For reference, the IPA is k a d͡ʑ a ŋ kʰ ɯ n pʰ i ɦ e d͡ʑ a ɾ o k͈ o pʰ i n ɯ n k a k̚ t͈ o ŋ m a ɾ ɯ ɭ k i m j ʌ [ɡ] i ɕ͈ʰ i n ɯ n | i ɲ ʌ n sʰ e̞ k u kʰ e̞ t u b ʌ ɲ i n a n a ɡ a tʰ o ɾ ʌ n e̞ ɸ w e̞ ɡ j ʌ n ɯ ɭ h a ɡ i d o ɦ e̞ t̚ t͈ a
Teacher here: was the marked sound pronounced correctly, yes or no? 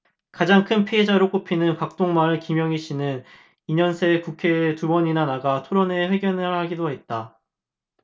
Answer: no